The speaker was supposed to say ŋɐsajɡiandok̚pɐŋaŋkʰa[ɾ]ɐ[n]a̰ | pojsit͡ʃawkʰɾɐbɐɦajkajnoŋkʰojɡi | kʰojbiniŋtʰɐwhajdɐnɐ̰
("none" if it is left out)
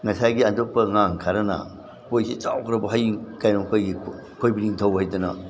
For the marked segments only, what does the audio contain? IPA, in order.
ɾ, n

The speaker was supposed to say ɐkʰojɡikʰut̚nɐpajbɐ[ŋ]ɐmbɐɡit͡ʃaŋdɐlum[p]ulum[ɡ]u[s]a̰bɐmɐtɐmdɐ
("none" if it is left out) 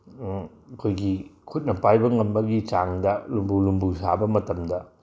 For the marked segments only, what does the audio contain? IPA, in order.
ŋ, b, b, s

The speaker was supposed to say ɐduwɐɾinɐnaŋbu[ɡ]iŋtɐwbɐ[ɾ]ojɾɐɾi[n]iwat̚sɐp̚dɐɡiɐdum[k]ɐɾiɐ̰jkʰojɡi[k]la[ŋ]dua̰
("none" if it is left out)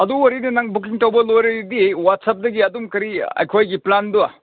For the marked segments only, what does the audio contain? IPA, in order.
k, l, d, k, p, n

